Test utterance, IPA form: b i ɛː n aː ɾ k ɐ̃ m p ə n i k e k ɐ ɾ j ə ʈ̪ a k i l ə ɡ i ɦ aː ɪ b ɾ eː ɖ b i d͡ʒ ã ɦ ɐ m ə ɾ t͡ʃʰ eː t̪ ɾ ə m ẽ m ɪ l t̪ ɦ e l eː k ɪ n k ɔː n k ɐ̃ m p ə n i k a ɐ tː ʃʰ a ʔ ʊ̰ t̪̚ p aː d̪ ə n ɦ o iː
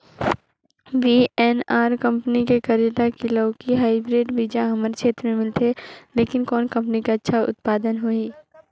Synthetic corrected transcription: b i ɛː n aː ɾ k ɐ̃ m p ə n i k e k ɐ ɾ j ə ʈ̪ a k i l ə k i ɦ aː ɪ b ɾ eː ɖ b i d͡ʒ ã ɦ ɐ m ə ɾ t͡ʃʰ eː t̪ ɾ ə m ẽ m ɪ l t̪ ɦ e l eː k ɪ n k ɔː n k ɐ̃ m p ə n i k a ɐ tː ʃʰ a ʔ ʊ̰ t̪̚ p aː d̪ ə n ɦ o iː